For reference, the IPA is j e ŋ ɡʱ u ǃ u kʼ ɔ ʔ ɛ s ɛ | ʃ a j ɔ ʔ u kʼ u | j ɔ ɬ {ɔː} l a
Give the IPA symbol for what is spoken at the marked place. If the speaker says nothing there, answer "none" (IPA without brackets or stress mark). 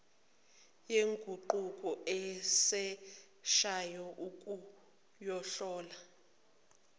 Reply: ɔː